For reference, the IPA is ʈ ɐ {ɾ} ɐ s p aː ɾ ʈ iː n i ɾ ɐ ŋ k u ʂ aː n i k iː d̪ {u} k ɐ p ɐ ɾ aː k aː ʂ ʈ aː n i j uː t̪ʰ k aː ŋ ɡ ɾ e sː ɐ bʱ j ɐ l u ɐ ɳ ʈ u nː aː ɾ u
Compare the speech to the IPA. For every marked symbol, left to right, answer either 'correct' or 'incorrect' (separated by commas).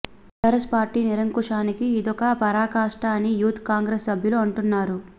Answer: correct, incorrect